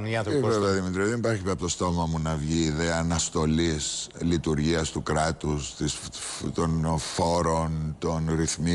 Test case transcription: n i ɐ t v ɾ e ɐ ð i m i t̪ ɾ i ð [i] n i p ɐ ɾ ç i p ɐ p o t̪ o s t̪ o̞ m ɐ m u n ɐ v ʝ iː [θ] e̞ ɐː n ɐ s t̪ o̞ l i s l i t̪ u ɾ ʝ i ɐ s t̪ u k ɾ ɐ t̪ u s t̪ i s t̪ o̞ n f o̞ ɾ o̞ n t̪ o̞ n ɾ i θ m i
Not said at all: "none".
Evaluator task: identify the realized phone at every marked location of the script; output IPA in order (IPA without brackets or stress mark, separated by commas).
e, ð